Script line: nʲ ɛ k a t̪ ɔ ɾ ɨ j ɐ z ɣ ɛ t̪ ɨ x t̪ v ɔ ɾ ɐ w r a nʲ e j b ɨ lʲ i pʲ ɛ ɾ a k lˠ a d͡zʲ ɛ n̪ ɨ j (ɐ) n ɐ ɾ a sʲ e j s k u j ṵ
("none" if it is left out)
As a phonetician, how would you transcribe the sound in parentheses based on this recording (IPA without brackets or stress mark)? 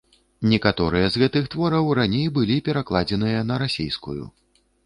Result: ɐ